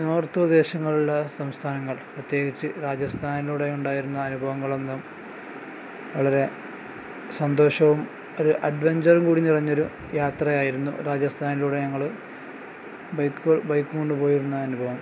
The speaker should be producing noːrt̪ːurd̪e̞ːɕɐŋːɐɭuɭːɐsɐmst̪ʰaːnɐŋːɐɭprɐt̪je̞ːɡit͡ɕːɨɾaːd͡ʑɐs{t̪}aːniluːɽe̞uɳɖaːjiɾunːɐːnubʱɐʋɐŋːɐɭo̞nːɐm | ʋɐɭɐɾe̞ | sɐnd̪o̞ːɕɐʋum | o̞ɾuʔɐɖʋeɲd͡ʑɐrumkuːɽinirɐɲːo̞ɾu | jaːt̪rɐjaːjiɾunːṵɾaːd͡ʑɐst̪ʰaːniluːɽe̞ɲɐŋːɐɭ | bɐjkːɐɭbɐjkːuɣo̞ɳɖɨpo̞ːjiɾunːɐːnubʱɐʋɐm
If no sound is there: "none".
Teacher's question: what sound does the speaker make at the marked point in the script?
t̪ʰ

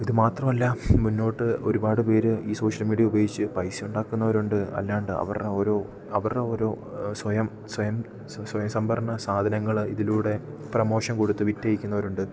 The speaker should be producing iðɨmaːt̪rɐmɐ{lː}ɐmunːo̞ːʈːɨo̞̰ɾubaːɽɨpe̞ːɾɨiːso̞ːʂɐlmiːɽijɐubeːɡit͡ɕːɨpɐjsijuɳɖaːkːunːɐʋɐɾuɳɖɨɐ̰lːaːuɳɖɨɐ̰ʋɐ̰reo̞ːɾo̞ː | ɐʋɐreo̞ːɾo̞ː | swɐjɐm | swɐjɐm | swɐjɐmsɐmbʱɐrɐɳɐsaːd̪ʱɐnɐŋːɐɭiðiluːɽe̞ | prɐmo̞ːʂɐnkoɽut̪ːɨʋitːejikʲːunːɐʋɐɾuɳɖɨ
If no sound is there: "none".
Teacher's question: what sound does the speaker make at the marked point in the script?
lː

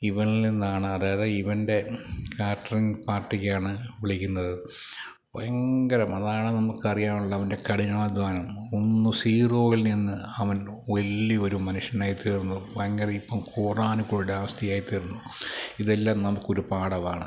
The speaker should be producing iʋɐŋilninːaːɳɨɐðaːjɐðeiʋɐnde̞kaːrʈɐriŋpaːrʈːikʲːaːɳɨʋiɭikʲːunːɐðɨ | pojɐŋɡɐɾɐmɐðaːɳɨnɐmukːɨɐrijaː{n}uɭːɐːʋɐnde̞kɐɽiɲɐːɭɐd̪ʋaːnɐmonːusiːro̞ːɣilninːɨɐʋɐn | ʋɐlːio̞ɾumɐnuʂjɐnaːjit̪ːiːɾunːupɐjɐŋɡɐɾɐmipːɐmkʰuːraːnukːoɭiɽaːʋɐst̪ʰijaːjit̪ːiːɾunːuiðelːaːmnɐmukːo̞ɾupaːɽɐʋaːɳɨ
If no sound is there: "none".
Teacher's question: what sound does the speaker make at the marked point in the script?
m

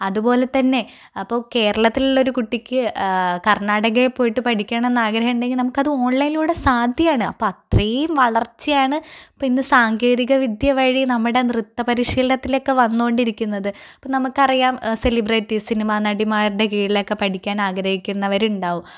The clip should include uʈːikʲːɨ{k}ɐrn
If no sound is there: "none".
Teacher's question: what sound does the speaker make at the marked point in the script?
k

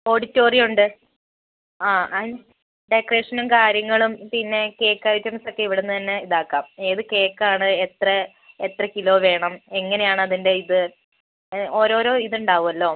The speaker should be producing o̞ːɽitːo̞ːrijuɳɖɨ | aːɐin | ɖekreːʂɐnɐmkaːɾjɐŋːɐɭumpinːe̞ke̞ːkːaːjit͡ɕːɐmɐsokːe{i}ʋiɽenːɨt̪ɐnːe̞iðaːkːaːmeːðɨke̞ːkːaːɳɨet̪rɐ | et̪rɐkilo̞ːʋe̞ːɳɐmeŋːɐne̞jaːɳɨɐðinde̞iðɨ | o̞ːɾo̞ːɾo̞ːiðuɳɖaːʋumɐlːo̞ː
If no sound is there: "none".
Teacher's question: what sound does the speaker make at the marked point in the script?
i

